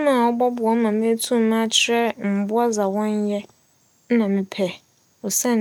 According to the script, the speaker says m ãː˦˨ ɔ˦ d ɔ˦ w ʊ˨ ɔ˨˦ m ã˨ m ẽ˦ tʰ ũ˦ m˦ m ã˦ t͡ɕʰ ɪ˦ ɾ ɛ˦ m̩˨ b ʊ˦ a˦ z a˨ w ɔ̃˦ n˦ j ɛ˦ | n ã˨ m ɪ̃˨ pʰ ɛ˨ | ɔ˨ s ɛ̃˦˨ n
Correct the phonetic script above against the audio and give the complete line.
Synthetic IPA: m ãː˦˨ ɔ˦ b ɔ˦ b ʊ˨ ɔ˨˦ m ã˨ m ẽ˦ tʰ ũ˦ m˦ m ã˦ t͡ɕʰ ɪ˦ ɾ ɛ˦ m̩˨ b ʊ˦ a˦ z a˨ w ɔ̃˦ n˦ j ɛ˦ | n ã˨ m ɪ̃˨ pʰ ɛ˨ | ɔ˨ s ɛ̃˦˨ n